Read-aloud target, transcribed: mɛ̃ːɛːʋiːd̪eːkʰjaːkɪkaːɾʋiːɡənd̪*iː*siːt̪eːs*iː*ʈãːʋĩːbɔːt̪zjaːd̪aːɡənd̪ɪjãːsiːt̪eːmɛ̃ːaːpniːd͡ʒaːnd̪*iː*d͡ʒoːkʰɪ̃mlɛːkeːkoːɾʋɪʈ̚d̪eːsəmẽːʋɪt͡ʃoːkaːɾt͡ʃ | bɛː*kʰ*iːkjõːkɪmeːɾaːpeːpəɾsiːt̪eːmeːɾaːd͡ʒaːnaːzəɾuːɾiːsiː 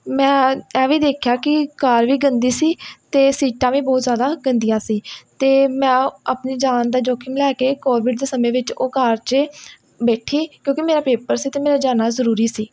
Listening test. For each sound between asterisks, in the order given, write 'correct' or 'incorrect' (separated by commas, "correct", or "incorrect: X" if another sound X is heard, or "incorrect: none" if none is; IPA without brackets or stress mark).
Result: correct, correct, incorrect: aː, incorrect: ʈʰ